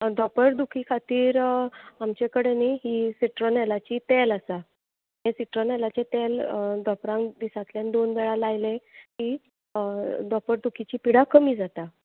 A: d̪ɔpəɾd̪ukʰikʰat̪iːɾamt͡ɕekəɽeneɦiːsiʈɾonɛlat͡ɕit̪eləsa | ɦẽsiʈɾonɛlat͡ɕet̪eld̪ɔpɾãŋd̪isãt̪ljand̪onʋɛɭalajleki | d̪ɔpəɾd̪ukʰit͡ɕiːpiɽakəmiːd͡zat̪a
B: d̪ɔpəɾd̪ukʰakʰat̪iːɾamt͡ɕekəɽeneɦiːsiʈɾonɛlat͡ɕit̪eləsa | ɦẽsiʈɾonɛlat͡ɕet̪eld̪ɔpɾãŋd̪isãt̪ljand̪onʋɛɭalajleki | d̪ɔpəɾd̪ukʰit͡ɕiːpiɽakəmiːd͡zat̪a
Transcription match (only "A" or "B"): A